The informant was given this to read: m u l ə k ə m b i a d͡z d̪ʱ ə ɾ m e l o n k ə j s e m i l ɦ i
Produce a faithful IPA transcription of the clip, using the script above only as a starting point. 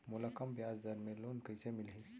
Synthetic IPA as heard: m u l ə k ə m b j a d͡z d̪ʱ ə ɾ m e l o n k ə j s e m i l ɦ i